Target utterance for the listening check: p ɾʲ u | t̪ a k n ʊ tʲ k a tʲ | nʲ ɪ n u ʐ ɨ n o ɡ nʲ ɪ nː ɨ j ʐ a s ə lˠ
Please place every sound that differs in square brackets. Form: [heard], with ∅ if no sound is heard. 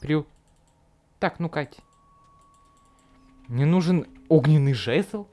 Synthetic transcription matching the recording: p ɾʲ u | t̪ a k n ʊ [∅] k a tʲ | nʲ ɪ n u ʐ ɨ n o ɡ nʲ ɪ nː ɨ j ʐ [ɛ] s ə lˠ